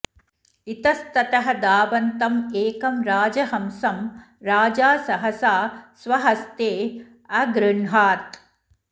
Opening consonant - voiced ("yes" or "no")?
no